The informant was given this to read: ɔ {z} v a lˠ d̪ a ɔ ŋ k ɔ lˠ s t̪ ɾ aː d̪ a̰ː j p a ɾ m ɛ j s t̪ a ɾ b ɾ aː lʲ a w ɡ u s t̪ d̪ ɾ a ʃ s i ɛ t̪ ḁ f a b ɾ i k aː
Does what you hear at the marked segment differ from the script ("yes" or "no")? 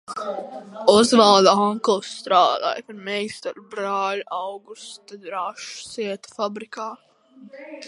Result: no